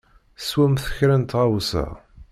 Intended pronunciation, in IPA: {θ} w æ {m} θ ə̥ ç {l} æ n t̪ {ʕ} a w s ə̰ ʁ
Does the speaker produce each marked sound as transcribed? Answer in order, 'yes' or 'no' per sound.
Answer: no, yes, no, no

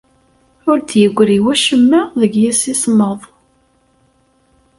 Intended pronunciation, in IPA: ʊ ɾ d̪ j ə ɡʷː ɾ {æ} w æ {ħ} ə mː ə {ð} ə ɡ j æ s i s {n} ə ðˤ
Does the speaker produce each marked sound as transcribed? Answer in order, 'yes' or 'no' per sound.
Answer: no, no, yes, no

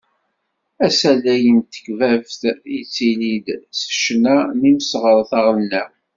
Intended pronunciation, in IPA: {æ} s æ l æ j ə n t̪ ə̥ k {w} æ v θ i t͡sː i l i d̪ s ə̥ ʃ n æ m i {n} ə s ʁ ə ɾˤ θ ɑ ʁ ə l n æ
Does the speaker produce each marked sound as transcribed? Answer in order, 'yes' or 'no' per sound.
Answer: yes, no, no

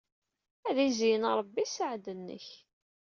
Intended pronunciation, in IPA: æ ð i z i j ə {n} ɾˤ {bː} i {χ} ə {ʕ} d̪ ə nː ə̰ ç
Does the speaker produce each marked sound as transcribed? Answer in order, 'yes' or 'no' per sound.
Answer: yes, yes, no, yes

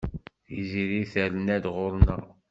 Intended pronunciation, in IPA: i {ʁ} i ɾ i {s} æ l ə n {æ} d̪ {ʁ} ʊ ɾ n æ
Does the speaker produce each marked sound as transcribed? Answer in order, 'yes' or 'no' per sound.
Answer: no, no, yes, yes

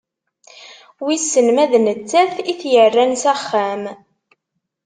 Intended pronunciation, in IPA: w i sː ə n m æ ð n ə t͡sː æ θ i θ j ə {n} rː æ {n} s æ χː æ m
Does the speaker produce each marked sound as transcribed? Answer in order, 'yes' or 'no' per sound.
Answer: no, yes

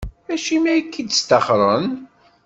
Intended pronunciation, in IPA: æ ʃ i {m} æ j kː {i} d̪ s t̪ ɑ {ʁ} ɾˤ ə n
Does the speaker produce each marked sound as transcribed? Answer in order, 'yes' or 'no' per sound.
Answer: yes, yes, no

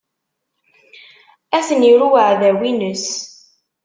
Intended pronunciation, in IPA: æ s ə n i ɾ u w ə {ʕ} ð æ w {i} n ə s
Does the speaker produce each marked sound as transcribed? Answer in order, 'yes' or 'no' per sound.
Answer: yes, yes

